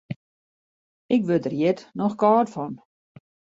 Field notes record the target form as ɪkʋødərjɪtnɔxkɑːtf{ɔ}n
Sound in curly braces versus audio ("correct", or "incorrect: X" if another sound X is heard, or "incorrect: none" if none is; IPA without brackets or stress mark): correct